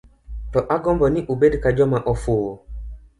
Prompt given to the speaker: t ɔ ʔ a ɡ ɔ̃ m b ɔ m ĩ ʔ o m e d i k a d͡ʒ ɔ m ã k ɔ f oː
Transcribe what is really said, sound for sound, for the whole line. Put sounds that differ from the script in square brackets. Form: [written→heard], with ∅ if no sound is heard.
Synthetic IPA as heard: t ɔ ʔ a ɡ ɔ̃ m b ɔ [m→n] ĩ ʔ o [m→b] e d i k a d͡ʒ ɔ m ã [k→ʔ] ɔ f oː